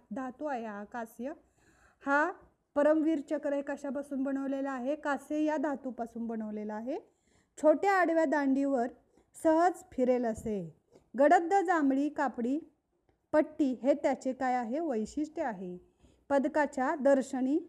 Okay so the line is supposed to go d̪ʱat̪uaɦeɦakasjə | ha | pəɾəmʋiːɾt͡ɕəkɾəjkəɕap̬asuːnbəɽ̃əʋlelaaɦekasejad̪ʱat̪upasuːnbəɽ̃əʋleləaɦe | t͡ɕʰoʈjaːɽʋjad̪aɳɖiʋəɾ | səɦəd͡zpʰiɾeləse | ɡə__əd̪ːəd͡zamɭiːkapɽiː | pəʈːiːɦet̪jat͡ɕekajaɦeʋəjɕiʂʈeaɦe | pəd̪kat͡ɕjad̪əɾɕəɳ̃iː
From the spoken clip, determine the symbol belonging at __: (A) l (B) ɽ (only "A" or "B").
B